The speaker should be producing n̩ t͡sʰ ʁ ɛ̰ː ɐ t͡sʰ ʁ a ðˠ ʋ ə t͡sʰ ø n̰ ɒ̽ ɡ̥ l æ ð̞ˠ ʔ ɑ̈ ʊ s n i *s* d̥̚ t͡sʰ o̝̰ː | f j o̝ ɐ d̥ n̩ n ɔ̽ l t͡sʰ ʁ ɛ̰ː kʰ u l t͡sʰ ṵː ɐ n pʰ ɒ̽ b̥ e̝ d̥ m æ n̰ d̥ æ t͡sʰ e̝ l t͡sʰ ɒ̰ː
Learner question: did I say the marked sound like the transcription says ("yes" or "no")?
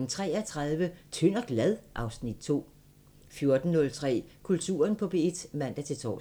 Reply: no